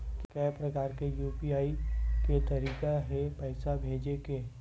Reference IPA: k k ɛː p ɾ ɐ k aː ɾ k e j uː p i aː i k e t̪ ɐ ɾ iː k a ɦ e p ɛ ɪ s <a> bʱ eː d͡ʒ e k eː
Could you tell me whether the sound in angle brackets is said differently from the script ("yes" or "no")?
no